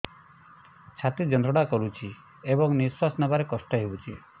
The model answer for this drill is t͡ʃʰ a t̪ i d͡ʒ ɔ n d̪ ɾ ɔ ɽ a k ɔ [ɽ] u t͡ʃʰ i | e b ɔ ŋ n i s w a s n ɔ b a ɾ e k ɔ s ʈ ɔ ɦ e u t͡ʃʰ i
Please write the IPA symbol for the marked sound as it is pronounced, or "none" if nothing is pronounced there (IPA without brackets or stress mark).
ɾ